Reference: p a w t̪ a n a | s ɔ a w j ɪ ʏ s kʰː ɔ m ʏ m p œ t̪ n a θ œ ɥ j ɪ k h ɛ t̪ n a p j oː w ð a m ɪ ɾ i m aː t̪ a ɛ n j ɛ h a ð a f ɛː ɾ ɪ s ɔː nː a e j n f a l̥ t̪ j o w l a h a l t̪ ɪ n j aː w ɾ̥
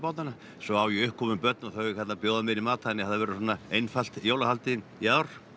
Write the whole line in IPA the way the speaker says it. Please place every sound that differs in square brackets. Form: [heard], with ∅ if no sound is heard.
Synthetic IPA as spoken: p a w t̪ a n a | s ɔ a w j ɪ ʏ [h] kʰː ɔ m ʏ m p œ t̪ n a θ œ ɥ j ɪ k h ɛ t̪ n a p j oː w ð a m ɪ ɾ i m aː t̪ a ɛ n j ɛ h a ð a [v] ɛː ɾ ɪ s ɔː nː a e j n f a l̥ t̪ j o w l a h a l t̪ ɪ n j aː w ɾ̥